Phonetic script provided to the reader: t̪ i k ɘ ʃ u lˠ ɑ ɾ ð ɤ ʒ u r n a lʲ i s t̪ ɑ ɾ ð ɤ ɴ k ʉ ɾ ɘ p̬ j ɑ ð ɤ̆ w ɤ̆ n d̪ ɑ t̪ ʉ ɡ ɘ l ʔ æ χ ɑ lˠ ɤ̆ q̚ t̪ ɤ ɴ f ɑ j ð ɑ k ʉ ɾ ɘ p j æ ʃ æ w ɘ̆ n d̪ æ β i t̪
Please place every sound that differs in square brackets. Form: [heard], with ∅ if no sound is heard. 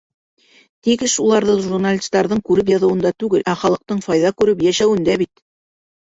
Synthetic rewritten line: t̪ i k ɘ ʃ u lˠ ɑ ɾ ð ɤ ʒ u r n a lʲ i s t̪ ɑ ɾ ð ɤ ɴ k ʉ ɾ ɘ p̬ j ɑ ð ɤ̆ w ɤ̆ n d̪ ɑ t̪ ʉ ɡ ɘ l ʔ æ χ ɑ lˠ ɤ̆ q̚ t̪ ɤ ɴ f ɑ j ð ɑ k ʉ ɾ ɘ p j æ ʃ æ w ɘ̆ n d̪ æ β i t̪

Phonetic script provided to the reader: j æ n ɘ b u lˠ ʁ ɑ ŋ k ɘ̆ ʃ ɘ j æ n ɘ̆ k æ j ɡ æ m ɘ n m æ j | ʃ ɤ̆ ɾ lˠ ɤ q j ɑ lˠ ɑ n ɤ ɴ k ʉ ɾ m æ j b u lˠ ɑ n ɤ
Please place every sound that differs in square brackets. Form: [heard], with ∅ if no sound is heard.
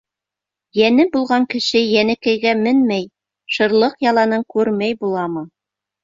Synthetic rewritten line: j æ n ɘ b u lˠ ʁ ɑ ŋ k ɘ̆ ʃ ɘ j æ n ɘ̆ k æ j ɡ æ m ɘ n m æ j | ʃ ɤ̆ ɾ lˠ ɤ q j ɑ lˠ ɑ n ɤ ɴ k ʉ ɾ m æ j b u lˠ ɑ [m] ɤ

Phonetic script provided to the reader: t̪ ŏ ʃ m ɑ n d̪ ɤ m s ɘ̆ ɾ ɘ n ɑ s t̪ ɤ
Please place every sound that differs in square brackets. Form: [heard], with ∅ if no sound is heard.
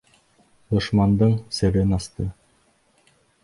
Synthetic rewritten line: [d̪] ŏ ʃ m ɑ n d̪ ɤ [ɴ] s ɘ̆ ɾ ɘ n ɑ s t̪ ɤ

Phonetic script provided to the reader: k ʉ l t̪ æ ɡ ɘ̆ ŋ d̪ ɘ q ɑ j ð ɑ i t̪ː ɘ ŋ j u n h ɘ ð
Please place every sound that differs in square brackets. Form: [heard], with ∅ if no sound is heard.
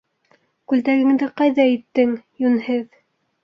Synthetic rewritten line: k ʉ l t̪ æ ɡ ɘ̆ ŋ d̪ ɘ q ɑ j ð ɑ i t̪ː ɘ ŋ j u n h ɘ ð

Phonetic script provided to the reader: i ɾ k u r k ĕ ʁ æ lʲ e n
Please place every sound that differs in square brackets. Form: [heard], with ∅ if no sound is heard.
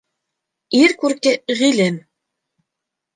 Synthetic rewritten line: i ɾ k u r k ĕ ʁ [i] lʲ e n

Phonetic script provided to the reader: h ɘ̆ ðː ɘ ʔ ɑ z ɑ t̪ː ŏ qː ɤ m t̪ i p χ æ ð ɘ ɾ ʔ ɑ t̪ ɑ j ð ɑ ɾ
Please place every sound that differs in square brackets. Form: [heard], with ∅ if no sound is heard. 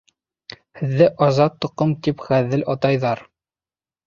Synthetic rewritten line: h ɘ̆ ðː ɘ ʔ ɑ z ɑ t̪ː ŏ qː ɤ m t̪ i p χ æ ð ɘ [l] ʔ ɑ t̪ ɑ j ð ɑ ɾ

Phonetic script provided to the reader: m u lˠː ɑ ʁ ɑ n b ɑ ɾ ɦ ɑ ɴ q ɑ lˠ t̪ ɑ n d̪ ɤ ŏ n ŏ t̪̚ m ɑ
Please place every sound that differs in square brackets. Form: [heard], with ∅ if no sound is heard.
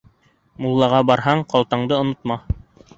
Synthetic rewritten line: m u lˠː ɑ ʁ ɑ [∅] b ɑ ɾ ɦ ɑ ɴ q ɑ lˠ t̪ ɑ [ɴ] d̪ ɤ ŏ n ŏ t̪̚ m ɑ

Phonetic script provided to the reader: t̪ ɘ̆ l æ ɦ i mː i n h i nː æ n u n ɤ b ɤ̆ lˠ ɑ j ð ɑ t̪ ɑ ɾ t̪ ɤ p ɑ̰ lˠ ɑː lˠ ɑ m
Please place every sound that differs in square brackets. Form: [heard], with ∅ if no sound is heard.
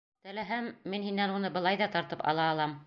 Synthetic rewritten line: t̪ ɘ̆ l æ ɦ [æ] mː i n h i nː æ n u n ɤ b ɤ̆ lˠ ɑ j ð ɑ t̪ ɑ ɾ t̪ ɤ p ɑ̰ lˠ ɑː lˠ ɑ m

